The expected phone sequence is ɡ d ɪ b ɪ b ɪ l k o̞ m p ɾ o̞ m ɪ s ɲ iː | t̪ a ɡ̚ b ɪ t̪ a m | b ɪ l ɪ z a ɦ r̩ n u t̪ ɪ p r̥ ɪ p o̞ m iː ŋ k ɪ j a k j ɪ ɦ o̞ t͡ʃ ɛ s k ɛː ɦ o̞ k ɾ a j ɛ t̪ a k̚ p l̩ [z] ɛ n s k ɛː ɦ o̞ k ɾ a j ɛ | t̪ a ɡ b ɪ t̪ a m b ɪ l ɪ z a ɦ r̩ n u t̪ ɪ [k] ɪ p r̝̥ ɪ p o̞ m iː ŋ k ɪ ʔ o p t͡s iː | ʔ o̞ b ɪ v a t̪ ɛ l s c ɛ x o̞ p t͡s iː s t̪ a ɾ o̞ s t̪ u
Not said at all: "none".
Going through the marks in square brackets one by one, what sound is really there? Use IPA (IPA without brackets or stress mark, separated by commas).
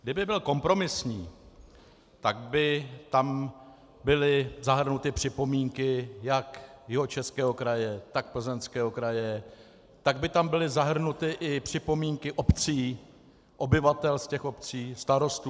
z, ʔ